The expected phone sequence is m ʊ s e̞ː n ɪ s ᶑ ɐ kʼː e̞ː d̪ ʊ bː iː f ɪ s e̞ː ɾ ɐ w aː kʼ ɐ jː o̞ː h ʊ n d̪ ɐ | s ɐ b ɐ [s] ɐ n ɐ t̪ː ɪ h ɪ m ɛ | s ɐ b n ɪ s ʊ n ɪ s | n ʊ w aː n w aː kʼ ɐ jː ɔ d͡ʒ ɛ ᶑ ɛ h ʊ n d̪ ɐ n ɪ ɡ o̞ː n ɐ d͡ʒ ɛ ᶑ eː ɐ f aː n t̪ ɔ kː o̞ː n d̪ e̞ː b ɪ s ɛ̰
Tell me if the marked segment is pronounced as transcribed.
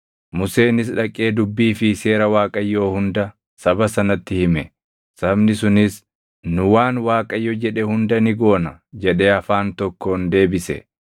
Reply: yes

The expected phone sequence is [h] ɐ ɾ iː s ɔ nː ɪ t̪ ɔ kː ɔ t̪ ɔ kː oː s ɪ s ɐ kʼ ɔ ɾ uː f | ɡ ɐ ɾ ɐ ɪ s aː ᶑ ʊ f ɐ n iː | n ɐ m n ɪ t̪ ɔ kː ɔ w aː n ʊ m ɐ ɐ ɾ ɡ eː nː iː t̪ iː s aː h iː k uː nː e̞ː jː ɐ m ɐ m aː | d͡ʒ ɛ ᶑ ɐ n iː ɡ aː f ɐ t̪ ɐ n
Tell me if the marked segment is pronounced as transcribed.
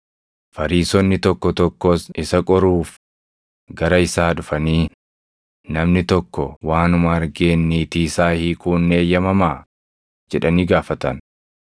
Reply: no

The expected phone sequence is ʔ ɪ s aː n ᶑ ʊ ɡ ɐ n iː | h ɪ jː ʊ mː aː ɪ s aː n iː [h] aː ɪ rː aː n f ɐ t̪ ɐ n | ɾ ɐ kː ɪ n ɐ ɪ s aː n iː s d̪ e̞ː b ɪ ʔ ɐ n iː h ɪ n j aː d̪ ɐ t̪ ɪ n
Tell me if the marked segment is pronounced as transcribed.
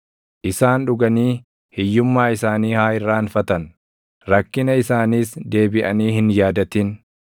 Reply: yes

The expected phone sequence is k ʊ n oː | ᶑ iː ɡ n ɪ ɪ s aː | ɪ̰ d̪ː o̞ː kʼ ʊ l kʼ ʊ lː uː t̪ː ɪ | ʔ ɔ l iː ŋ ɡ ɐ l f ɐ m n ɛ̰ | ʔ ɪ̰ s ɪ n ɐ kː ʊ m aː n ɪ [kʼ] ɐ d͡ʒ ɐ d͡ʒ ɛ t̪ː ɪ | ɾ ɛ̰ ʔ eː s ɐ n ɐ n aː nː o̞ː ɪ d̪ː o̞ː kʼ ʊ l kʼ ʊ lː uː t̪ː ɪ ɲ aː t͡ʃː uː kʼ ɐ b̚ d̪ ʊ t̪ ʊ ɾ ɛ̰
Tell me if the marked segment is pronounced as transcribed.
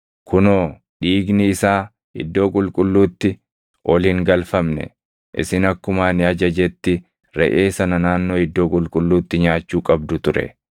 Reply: no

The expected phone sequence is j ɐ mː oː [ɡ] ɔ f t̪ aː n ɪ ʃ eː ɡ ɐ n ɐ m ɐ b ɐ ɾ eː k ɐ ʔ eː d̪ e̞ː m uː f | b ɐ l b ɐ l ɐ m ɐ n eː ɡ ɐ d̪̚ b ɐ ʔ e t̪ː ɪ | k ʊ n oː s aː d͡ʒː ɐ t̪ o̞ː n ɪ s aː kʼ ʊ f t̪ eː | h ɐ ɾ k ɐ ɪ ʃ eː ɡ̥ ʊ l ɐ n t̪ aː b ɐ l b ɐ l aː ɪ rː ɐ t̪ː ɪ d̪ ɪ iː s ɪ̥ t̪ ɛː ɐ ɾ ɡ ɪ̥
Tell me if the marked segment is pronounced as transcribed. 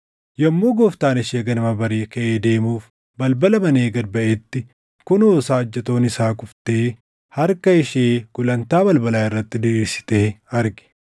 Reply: yes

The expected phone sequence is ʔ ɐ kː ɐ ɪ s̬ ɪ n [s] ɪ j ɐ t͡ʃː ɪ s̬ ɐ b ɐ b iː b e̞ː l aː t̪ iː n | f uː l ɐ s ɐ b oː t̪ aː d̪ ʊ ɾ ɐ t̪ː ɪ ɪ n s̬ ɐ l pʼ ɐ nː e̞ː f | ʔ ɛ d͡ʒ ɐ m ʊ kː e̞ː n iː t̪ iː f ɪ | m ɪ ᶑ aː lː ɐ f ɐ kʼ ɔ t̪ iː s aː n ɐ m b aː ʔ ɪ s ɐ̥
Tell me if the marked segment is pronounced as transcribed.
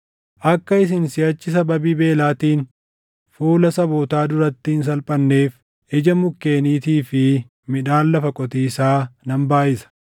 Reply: yes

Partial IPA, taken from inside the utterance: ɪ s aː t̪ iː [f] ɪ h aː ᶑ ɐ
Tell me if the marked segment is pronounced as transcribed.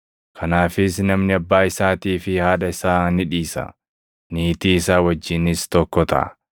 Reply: yes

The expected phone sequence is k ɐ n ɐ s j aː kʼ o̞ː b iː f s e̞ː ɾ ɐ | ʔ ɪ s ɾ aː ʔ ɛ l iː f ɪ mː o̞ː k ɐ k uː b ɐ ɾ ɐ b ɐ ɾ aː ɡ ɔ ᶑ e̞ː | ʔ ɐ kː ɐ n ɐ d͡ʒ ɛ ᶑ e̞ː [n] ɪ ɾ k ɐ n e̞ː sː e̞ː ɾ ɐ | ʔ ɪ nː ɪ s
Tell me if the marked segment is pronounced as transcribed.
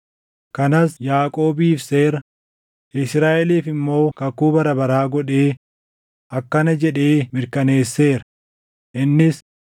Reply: no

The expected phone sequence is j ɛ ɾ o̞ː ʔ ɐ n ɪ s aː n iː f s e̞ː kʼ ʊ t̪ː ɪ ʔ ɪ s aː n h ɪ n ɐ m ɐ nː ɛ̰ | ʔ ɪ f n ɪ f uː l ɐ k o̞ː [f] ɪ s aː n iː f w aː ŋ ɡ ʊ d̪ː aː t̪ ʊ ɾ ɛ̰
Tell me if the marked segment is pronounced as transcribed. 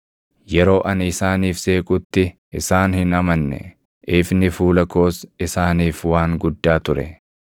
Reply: no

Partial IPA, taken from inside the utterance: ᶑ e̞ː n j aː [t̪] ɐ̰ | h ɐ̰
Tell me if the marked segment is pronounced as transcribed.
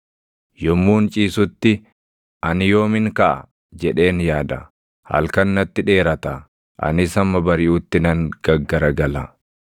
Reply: no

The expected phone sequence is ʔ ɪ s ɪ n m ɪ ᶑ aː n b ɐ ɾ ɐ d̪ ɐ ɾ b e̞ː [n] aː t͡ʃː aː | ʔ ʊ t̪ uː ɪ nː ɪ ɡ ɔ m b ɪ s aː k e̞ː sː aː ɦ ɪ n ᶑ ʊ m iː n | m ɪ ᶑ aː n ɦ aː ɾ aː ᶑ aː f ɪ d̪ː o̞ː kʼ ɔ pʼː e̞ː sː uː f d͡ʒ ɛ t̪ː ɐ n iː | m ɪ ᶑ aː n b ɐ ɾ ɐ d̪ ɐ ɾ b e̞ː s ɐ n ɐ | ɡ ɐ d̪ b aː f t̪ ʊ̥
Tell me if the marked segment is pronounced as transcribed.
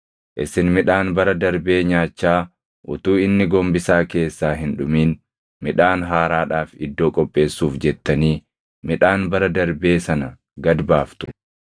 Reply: no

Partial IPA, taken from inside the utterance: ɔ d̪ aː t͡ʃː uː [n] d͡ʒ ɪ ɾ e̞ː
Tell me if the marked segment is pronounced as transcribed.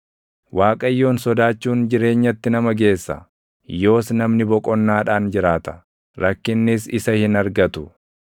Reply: yes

